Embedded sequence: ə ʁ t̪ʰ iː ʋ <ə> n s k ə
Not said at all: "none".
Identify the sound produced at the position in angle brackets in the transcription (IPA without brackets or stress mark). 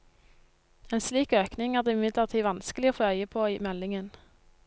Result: ɑ